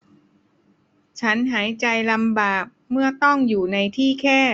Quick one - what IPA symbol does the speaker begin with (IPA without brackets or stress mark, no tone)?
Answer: t͡ɕʰ